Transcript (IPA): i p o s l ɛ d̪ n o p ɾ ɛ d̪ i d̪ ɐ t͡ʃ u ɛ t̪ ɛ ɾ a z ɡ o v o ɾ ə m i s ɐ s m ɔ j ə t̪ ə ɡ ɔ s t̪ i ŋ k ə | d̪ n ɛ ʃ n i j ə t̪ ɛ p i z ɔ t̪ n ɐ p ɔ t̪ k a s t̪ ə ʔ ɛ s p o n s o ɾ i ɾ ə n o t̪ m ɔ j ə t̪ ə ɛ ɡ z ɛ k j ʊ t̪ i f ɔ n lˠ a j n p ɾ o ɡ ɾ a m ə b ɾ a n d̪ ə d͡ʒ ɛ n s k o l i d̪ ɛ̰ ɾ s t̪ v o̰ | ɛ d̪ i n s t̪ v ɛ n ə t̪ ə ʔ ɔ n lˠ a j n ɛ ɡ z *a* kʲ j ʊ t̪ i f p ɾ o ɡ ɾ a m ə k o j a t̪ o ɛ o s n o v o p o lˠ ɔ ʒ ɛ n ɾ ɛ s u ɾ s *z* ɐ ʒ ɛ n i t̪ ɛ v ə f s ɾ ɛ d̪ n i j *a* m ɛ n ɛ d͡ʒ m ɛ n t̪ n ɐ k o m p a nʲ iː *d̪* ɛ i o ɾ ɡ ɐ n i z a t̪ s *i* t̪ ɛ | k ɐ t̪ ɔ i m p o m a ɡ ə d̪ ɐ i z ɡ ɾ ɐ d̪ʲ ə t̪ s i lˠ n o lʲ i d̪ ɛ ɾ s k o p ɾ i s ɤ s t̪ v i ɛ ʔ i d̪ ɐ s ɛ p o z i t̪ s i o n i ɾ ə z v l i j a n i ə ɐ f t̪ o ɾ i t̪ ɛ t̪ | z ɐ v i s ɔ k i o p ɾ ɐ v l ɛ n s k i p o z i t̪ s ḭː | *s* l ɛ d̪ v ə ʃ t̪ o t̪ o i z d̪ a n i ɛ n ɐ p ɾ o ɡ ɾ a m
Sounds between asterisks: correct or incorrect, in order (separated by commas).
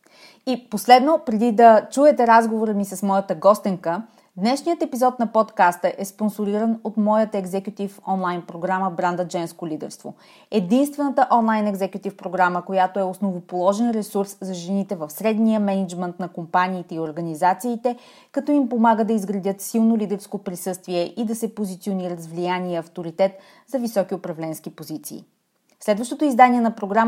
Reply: incorrect, correct, incorrect, incorrect, incorrect, correct